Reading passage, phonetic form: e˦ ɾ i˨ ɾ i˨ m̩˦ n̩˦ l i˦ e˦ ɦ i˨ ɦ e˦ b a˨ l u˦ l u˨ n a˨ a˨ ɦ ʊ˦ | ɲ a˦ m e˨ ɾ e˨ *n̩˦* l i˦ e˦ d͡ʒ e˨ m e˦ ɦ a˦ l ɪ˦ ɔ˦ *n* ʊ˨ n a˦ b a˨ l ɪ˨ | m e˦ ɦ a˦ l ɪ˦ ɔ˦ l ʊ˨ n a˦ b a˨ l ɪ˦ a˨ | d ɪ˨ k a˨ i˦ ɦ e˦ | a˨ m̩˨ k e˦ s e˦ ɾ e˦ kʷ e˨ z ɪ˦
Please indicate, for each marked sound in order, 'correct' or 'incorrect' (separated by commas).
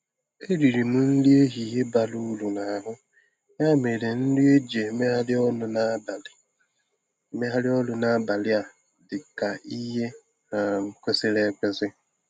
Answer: correct, correct